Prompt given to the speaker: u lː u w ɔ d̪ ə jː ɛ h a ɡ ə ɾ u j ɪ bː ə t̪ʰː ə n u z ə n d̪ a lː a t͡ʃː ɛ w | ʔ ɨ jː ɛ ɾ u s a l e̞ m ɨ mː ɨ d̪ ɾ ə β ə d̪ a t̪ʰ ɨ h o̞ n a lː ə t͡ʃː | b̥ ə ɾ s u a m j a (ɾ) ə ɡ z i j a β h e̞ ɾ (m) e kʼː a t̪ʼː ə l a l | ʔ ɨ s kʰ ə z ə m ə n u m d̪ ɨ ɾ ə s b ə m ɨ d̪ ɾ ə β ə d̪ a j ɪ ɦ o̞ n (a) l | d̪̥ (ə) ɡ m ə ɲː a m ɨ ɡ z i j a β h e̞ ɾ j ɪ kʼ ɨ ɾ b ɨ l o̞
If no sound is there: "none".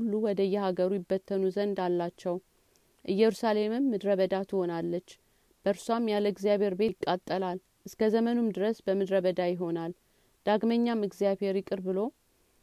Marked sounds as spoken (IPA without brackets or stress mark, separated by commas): l, b, a, a